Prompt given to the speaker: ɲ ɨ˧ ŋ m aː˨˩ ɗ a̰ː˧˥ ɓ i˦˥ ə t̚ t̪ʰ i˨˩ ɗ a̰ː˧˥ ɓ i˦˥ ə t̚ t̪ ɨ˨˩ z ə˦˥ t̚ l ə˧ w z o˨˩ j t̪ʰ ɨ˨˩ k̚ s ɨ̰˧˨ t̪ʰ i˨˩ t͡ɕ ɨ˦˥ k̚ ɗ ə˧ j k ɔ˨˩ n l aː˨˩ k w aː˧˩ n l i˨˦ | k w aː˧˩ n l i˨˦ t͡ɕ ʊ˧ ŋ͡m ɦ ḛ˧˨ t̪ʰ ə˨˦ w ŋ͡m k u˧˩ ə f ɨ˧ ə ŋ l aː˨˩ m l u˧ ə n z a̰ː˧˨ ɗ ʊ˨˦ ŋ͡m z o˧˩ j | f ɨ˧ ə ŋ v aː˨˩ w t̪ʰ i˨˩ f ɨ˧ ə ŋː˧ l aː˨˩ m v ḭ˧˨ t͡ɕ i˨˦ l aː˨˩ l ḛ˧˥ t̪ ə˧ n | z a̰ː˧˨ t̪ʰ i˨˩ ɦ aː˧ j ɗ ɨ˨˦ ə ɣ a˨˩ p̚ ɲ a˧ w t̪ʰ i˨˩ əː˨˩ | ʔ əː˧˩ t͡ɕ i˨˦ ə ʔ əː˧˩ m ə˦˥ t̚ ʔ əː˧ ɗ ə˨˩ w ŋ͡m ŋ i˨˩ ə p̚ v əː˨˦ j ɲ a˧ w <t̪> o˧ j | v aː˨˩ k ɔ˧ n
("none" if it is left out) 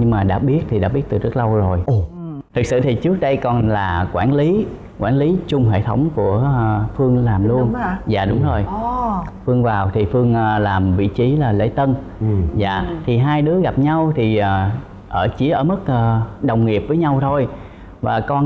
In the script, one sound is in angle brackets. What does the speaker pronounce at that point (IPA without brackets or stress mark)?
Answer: t̪ʰ